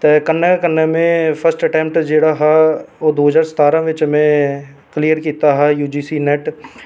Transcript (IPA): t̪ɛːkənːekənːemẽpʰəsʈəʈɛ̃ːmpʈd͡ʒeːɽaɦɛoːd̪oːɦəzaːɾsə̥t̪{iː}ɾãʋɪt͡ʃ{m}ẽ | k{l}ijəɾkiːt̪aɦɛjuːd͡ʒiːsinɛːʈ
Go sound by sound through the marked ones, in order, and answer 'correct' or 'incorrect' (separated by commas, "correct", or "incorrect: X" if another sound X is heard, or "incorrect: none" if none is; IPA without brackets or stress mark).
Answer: incorrect: aː, correct, correct